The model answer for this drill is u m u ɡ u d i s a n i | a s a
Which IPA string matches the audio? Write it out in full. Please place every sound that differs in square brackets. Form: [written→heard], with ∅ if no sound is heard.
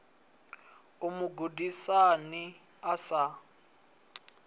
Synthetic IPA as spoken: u m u ɡ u d i s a n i | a s a